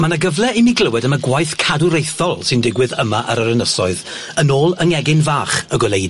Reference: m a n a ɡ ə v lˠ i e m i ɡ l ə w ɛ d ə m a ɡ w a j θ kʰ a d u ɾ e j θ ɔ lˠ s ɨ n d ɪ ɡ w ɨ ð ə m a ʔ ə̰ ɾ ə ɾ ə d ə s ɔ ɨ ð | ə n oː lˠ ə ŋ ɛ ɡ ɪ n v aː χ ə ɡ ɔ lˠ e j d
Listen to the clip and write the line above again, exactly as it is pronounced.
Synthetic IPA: m a n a ɡ ə v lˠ ɛ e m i ɡ l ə w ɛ d ə m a ɡ w a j θ kʰ a d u ɾ e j θ ɔ lˠ s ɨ n d ɪ ɡ w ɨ ð ə m a ʔ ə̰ ɾ ə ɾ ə n ə s ɔ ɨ ð | ə n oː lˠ ə ŋ ɛ ɡ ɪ n v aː χ ə ɡ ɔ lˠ e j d

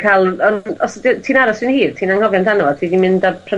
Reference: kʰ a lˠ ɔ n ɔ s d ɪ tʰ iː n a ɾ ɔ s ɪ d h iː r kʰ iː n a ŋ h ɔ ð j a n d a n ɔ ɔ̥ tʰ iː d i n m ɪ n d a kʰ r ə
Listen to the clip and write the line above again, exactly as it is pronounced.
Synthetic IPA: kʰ a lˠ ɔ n ɔ s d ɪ tʰ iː n a ɾ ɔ s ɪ n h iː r tʰ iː n a ŋ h ɔ v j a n d a n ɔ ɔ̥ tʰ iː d i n m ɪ n d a pʰ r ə

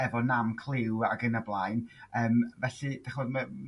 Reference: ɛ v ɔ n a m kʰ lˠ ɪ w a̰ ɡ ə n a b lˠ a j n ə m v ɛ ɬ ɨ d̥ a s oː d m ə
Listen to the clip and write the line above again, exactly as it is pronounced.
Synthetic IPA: ɛ v ɔ n a m kʰ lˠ ɪ w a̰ ɡ ə n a b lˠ a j n əː m v ɛ ɬ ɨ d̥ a χ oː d m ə

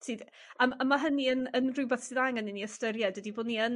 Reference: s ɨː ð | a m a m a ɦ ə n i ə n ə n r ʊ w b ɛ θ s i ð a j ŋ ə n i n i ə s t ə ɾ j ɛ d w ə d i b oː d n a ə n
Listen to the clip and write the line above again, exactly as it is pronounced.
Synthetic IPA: s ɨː ð | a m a m a ɦ ə n i ə n ə n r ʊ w b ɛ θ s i ð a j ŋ ə n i n i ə s t ə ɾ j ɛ d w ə d i b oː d n i ə n

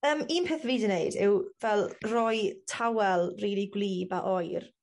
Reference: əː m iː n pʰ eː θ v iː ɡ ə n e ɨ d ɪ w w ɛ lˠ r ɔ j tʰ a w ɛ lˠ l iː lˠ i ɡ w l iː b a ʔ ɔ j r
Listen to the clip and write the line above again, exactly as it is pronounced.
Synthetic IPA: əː m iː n pʰ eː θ v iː d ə n e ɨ d ɪ w v ɛ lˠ r ɔ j tʰ a w ɛ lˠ r iː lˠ i ɡ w l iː b a ʔ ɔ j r

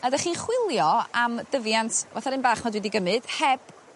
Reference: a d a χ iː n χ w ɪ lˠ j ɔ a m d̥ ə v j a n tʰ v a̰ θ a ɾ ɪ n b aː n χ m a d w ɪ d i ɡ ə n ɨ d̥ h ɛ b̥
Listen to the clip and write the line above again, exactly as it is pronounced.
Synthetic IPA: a d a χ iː n χ w ɪ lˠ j ɔ a m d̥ ə v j a n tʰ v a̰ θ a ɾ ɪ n b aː χ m a d w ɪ d i ɡ ə m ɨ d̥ h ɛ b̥

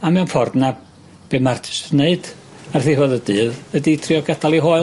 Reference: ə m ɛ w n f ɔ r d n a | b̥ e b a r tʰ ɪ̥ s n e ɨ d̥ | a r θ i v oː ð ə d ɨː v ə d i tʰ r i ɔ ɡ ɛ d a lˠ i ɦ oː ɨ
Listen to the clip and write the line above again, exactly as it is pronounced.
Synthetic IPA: a m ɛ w n f ɔ r d n a | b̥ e m a r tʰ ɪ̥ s n e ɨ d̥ | a r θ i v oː ð ə d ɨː ð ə d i tʰ r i ɔ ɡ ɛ d a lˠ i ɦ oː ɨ

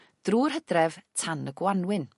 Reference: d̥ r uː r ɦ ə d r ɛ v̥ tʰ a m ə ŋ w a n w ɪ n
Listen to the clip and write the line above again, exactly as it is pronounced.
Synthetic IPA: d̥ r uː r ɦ ə d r ɛ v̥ tʰ a n ə ɡ w a n w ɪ n

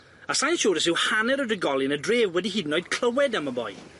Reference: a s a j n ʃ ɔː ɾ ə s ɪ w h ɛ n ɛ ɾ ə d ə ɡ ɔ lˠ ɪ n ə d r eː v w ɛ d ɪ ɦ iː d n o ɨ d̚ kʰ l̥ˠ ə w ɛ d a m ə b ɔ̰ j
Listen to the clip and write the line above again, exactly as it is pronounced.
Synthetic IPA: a s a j n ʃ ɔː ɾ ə s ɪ w h a n ɛ ɾ ə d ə ɡ ɔ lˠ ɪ n ə d r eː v w ɛ d i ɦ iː d n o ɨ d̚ kʰ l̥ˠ ə w ɛ d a m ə b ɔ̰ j

